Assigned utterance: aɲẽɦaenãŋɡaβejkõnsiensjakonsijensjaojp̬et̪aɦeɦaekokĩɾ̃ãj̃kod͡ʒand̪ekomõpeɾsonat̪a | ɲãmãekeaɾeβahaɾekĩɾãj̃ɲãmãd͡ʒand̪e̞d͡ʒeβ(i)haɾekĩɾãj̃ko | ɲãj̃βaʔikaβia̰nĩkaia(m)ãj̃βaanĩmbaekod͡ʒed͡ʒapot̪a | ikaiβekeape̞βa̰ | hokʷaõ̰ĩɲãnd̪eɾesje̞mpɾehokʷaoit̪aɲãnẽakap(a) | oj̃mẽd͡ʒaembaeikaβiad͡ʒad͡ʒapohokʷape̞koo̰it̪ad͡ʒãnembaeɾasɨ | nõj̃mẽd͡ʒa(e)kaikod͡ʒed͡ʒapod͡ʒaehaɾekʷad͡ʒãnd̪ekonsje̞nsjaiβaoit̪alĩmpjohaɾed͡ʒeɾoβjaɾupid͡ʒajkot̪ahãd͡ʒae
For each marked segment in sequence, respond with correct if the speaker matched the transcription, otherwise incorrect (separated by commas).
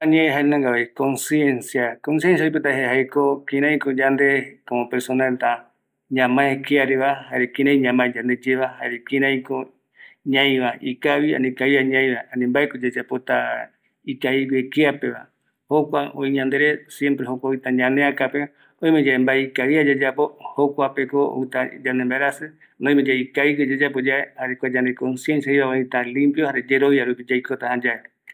incorrect, incorrect, incorrect, incorrect